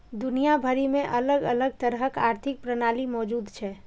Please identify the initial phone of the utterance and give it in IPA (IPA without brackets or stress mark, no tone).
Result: d̪